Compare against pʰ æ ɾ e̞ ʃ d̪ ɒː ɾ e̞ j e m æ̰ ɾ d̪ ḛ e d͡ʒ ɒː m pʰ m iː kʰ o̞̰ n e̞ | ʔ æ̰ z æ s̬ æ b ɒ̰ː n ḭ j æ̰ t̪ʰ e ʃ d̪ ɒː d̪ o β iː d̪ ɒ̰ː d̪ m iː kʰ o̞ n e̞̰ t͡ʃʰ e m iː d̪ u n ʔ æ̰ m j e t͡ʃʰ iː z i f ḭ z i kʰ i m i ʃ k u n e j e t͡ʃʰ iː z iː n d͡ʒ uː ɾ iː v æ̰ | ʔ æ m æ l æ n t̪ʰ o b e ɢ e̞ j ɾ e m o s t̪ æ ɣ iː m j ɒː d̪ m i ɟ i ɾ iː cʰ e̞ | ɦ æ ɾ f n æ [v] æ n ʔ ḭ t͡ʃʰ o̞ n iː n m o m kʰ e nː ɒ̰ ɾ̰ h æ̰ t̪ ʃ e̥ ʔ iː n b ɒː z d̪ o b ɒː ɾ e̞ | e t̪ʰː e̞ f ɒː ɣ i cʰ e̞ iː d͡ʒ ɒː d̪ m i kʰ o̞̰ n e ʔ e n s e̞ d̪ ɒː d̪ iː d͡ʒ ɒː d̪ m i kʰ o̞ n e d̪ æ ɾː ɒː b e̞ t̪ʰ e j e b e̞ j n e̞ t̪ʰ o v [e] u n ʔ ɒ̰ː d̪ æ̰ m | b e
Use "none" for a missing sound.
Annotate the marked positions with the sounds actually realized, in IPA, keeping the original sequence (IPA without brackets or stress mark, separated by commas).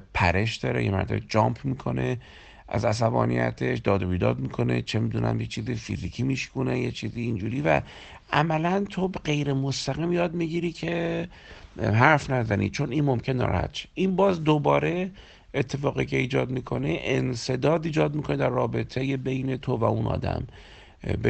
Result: z, æ